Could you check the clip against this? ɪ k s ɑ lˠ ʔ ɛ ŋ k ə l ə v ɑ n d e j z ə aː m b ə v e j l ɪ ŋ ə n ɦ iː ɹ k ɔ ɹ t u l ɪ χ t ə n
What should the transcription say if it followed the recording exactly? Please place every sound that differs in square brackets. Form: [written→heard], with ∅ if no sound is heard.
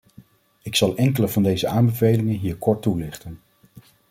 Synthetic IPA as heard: ɪ k s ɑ lˠ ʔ ɛ ŋ k ə l ə v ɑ n d e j z ə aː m b ə v e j l ɪ ŋ ə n ɦ iː ɹ k ɔ ɹ t u l ɪ χ t ə n